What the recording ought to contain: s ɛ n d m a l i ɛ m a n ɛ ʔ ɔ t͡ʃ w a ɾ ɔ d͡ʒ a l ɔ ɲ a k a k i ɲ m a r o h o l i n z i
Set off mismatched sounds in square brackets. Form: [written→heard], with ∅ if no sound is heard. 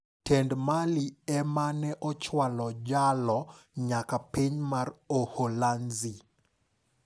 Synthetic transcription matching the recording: [s→t] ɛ n d m a l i ɛ m a n ɛ ʔ ɔ t͡ʃ w a [ɾ→l] ɔ d͡ʒ a l ɔ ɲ a k a [k→p] i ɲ m a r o h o l [i→a] n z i